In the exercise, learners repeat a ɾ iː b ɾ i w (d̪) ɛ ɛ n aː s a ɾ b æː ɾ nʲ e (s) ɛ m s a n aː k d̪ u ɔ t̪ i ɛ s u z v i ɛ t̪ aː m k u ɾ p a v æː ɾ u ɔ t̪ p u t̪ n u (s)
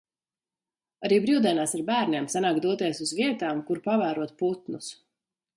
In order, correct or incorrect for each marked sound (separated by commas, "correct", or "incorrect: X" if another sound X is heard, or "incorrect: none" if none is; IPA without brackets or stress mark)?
correct, incorrect: none, correct